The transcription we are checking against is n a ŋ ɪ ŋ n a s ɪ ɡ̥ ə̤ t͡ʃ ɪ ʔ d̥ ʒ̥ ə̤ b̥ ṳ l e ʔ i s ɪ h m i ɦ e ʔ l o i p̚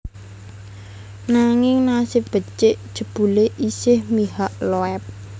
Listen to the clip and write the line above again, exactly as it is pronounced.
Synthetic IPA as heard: n a ŋ ɪ ŋ n a s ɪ b̥ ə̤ t͡ʃ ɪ ʔ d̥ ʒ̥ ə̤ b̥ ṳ l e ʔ i s ɪ h m i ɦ a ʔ l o ɛ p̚